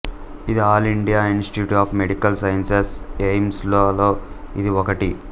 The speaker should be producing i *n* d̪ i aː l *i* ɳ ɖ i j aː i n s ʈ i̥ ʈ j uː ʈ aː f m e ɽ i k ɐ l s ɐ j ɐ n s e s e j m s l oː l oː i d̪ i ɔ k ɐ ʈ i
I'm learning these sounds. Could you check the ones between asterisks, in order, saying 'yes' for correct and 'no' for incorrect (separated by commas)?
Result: no, yes